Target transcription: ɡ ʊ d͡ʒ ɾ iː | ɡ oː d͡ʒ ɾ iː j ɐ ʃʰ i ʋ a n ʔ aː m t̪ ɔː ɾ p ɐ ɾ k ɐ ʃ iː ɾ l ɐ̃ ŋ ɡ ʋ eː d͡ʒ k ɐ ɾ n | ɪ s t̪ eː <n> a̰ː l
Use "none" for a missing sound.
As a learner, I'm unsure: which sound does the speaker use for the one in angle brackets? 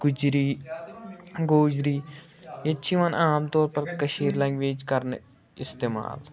m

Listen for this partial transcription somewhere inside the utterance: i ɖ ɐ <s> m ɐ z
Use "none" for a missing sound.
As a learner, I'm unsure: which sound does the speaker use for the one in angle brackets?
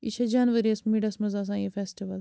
s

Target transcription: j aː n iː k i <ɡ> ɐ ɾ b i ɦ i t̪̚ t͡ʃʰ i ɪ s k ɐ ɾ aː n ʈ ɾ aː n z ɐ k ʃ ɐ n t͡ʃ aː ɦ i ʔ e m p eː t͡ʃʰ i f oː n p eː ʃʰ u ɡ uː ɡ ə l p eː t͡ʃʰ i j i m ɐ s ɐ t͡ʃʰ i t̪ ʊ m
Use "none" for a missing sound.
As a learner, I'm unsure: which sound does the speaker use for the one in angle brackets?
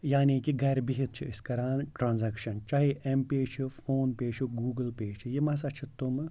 ɡ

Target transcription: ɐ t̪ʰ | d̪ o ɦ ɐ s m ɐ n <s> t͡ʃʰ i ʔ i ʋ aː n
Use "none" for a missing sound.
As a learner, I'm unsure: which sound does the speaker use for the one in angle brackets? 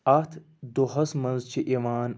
z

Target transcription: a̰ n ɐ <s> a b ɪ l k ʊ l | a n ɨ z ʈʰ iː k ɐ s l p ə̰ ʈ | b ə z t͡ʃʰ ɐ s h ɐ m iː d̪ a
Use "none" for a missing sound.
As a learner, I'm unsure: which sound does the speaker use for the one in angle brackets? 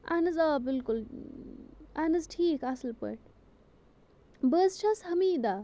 z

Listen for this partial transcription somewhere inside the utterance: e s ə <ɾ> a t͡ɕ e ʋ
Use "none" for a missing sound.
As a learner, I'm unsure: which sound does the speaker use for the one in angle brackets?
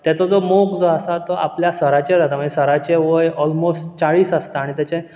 ɾ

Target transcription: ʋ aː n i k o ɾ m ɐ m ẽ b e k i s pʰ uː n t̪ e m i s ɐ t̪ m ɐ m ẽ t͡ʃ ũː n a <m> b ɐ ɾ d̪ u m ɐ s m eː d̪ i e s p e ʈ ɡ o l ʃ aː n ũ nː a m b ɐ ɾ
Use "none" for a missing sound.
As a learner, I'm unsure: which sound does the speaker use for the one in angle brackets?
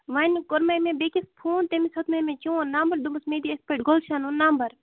m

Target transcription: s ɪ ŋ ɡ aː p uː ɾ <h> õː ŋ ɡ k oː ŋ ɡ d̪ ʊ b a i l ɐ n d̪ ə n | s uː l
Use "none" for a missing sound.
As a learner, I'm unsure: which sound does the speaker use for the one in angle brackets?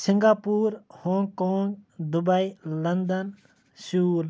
h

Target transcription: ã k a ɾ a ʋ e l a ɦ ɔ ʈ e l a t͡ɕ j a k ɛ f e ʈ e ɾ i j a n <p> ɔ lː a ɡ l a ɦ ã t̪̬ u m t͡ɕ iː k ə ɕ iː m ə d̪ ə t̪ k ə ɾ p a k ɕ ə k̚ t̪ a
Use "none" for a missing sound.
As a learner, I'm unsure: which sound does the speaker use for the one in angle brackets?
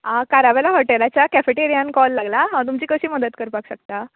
k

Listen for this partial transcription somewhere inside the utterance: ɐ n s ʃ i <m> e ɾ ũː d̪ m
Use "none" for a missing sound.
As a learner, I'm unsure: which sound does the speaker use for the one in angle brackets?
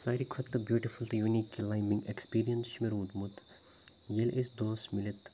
m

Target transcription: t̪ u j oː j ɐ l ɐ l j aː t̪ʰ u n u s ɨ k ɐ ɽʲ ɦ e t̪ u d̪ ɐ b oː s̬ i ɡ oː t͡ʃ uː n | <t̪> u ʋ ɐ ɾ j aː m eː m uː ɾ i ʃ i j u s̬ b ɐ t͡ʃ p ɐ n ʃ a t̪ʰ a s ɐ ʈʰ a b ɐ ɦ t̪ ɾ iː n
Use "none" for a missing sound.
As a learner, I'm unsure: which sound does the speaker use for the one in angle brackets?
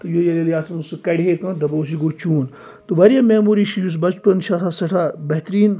t̪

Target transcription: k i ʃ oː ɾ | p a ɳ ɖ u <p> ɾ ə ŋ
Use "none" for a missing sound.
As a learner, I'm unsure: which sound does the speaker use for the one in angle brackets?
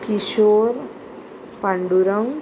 none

